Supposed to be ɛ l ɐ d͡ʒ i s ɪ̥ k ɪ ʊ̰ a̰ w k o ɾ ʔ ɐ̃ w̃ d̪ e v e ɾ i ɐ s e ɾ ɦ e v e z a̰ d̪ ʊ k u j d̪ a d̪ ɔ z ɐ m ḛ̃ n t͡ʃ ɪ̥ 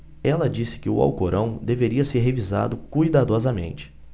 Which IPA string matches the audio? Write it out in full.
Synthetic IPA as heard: ɛ l ɐ d͡ʒ i s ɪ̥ k ɪ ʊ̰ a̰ w k o ɾ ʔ ɐ̃ w̃ d̪ e v e ɾ i ɐ s e ɾ ɦ e v i z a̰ d̪ ʊ k u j d̪ a d̪ ɔ z ɐ m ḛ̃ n t͡ʃ ɪ̥

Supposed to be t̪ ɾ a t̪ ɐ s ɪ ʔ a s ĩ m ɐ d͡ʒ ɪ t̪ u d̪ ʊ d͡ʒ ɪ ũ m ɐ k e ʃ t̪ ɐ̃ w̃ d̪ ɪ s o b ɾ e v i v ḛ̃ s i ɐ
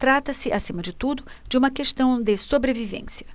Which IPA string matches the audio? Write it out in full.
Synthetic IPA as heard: t̪ ɾ a t̪ ɐ s ɪ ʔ a s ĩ m ɐ d͡ʒ ɪ t̪ u d̪ ʊ d͡ʒ ɪ ũ m ɐ k e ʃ t̪ ɐ̃ w̃ d̪ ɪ s o b ɾ e v i v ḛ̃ s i ɐ

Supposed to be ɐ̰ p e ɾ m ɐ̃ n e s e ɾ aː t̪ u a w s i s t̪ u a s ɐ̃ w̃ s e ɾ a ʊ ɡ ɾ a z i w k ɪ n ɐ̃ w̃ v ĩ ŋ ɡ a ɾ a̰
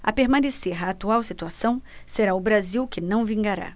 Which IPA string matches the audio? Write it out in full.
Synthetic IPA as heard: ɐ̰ p e ɾ m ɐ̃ n e s e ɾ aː t̪ u a w s i t̪ u a s ɐ̃ w̃ s e ɾ a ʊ b ɾ a z i w k ɪ n ɐ̃ w̃ v ĩ ŋ ɡ a ɾ a̰

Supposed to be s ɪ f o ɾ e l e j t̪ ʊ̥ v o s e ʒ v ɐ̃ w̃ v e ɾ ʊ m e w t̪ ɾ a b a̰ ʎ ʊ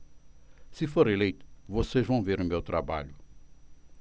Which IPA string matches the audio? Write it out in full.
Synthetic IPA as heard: s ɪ f o ɾ e l e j t̪ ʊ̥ v o s e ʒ v ɐ̃ w̃ v e ɾ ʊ m e w t̪ ɾ a b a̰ ʎ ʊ

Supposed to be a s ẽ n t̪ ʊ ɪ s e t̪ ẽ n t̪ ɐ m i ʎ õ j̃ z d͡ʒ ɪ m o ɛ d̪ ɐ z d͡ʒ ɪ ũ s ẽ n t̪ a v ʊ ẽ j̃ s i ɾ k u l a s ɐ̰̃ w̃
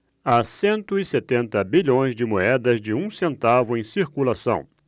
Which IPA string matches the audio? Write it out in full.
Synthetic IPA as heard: a s ẽ n t̪ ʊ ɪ s e t̪ ẽ n t̪ ɐ b i ʎ õ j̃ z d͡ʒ ɪ m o ɛ d̪ ɐ z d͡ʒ ɪ ũ s ẽ n t̪ a v ʊ ẽ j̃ s i ɾ k u l a s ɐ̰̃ w̃

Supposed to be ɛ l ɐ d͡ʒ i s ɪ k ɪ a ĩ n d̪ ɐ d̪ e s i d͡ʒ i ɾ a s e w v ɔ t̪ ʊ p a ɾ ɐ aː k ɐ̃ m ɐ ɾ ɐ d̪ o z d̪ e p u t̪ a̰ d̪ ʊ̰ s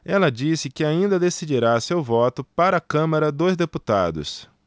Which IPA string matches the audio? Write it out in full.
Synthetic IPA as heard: ɛ l ɐ d͡ʒ i s ɪ k ɪ a ĩ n d̪ ɐ d̪ e s i d͡ʒ i ɾ a s e w v ɔ t̪ ʊ p a ɾ ɐ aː k ɐ̃ m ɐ ɾ ɐ d̪ o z d̪ e p u t̪ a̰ d̪ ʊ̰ s

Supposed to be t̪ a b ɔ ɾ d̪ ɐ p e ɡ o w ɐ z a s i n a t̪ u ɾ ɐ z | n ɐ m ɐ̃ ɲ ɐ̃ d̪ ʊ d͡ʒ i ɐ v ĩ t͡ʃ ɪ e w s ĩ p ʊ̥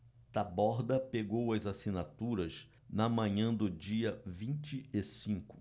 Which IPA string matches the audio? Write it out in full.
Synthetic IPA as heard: t̪ a b ɔ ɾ d̪ ɐ p e ɡ o w ɐ z a s i n a t̪ u ɾ ɐ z | n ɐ m ɐ̃ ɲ ɐ̃ d̪ ʊ d͡ʒ i ɐ v ĩ t͡ʃ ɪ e s ĩ k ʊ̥

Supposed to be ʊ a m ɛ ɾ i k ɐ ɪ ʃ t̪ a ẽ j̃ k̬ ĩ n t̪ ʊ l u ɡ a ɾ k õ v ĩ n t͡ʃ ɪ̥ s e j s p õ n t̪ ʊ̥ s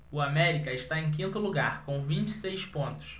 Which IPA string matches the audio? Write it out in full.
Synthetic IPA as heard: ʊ a m ɛ ɾ i k ɐ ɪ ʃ t̪ a ẽ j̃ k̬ ĩ n t̪ ʊ l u ɡ a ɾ k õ v ĩ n t͡ʃ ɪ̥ s e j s p õ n t̪ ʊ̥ s

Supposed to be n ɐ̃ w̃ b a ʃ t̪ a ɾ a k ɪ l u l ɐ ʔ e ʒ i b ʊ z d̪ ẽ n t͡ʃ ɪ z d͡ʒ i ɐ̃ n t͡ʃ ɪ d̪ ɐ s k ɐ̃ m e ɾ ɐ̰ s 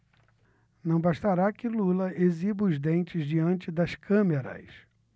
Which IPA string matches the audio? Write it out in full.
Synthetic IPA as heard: n ɐ̃ w̃ b a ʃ t̪ a ɾ a k ɪ l u l ɐ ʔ e z i b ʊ z d̪ ẽ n t͡ʃ ɪ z d͡ʒ i ɐ̃ n t͡ʃ ɪ d̪ ɐ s k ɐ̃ m e ɾ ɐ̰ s

